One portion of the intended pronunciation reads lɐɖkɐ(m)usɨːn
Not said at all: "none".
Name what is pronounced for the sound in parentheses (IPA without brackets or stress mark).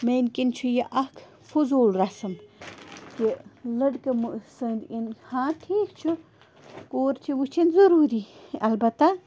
m